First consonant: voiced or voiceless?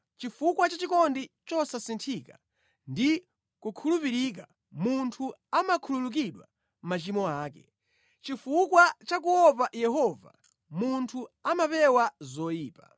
voiceless